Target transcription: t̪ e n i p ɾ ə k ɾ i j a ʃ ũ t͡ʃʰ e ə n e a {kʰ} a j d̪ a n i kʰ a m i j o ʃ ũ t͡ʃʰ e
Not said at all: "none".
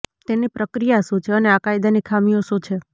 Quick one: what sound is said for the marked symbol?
k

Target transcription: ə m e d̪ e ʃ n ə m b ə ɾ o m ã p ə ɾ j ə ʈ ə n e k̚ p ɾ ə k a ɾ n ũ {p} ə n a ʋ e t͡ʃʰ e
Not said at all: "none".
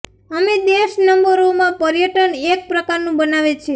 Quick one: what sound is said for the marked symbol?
b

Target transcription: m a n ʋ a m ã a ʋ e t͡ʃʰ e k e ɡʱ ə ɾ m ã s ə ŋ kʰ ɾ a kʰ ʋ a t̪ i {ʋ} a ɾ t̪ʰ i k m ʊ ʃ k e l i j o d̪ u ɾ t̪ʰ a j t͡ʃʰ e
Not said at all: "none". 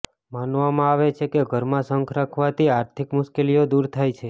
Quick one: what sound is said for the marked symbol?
none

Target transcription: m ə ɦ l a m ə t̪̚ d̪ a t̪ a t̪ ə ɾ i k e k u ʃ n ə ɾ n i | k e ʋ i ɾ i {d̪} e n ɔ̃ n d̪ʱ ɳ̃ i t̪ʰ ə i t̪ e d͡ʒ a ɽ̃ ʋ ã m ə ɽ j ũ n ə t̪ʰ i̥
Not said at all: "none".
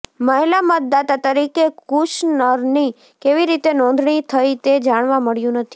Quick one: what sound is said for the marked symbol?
t̪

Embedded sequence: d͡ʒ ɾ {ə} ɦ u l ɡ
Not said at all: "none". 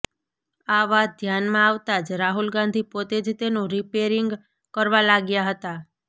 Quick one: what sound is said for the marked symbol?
a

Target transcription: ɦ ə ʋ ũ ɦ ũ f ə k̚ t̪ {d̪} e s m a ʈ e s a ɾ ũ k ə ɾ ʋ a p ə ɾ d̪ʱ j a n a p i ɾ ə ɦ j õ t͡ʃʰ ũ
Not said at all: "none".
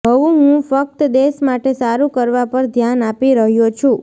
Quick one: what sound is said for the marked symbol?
d̪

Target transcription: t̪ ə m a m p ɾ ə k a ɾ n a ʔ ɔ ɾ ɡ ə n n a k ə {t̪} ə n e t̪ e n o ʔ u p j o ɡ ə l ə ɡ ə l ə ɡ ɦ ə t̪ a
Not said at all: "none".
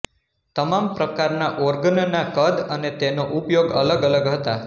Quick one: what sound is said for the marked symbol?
d̪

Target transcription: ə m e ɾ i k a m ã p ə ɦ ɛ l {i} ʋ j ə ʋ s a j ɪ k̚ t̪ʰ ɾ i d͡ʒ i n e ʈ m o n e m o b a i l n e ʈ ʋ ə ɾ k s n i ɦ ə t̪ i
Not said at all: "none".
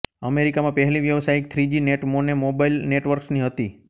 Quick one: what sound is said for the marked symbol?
i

